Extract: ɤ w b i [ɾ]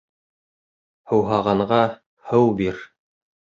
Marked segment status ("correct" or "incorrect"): correct